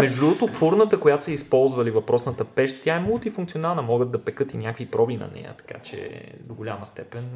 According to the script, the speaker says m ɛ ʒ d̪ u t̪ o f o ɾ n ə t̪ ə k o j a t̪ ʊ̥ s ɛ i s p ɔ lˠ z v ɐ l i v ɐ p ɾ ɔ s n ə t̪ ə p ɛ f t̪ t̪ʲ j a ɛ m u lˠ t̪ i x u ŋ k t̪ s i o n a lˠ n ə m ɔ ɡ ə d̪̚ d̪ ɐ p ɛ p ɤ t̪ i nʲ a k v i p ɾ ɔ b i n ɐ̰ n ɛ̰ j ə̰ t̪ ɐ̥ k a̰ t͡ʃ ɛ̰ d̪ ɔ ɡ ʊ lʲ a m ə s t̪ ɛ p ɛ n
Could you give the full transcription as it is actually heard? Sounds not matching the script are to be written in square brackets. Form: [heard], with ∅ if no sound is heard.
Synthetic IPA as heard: m ɛ ʒ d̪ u t̪ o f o ɾ n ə t̪ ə k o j a t̪ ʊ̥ s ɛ i s p ɔ lˠ z v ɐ l i v ɐ p ɾ ɔ s n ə t̪ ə p ɛ [ʃ] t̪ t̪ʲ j a ɛ m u lˠ t̪ i [f] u ŋ k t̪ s i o n a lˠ n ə m ɔ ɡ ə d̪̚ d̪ ɐ p ɛ [k] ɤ t̪ i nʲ a k v i p ɾ ɔ b i n ɐ̰ n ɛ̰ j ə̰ t̪ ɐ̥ k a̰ t͡ʃ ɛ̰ d̪ [o] ɡ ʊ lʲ a m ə s t̪ ɛ p ɛ n